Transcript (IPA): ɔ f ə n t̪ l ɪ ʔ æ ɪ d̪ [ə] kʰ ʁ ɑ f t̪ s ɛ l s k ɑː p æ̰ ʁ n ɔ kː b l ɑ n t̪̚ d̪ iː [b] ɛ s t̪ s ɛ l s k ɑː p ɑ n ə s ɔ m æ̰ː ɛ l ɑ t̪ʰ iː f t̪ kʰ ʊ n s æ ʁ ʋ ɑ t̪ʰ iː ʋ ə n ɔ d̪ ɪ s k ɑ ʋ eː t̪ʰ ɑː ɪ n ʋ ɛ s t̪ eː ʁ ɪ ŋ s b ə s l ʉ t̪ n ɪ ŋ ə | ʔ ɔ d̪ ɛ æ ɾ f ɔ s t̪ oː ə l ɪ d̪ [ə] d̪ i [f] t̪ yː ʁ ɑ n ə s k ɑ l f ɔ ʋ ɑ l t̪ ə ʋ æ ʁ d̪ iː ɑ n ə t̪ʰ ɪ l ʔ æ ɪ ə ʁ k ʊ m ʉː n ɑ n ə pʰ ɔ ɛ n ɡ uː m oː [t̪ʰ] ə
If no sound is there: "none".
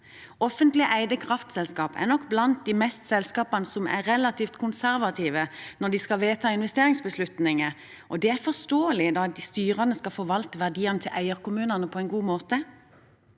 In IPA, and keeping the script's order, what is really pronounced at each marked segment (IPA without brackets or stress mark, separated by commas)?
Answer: ə, m, ɑ, s, t̪